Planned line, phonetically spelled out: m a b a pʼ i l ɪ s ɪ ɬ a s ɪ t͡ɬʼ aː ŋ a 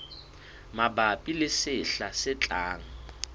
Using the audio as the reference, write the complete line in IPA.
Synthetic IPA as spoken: m a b a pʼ i l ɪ s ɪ ɬ a s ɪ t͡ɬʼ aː ŋ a